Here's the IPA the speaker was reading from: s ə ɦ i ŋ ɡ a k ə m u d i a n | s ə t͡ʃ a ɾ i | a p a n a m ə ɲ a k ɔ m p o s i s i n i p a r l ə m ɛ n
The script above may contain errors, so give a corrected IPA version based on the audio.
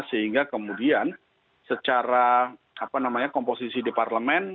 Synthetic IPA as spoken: s ə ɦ i ŋ ɡ a k ə m u d i a n | s ə t͡ʃ a ɾ a | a p a n a m a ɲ a k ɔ m p o s i s i d i p a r l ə m ɛ n